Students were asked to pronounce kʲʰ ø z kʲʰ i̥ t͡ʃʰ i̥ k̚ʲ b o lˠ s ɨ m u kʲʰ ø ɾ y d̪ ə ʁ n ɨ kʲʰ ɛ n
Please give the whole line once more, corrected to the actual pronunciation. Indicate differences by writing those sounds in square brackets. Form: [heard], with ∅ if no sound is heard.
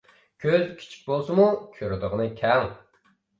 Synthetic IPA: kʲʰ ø z kʲʰ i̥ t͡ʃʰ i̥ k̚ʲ b o lˠ s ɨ m u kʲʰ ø ɾ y d̪ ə ʁ n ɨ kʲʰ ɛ [ŋ]